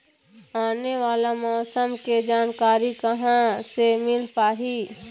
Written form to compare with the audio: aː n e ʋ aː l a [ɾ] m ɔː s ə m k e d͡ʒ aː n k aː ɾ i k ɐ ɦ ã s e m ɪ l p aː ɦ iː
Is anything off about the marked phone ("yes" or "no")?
yes